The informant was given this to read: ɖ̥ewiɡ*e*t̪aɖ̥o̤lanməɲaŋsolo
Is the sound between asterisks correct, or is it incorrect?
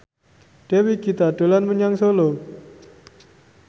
incorrect: i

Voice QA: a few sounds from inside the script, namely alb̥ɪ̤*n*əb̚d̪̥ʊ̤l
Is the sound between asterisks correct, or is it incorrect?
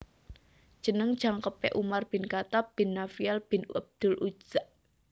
correct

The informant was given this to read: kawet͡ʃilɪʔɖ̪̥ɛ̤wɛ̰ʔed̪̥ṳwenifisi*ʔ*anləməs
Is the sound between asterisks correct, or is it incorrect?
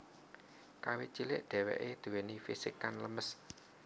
incorrect: k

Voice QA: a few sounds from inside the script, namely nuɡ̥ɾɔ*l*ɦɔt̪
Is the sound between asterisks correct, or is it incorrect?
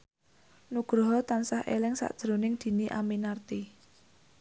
incorrect: none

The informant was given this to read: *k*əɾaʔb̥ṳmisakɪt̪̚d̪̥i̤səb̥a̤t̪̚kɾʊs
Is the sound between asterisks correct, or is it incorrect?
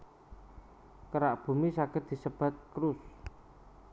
correct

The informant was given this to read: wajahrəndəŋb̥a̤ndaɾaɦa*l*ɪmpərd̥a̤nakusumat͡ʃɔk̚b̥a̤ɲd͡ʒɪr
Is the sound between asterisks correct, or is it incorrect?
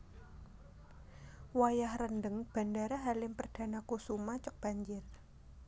correct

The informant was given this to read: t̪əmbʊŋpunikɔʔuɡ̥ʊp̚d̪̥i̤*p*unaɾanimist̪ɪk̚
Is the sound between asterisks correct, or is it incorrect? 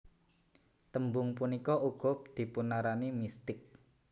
correct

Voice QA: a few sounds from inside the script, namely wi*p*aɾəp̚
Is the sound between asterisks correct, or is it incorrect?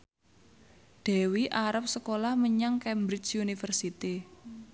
incorrect: ʔ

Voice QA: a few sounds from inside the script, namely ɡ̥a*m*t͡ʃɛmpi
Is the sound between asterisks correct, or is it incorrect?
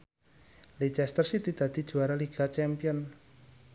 incorrect: none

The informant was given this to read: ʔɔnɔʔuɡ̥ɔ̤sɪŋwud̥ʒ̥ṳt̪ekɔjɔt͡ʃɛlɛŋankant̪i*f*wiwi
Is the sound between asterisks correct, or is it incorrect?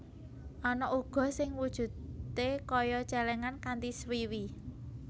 incorrect: s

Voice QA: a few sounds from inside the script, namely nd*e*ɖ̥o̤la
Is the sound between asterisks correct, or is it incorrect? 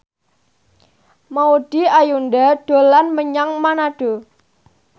incorrect: a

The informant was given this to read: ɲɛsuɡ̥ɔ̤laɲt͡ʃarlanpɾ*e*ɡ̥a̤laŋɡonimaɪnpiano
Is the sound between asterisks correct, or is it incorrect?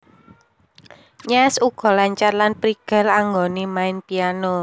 incorrect: i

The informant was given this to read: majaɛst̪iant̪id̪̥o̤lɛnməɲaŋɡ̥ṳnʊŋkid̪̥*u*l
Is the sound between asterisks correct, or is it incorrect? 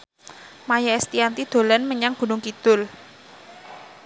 incorrect: ʊ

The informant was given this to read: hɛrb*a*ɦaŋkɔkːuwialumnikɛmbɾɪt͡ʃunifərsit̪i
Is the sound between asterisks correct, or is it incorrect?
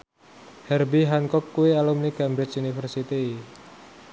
incorrect: i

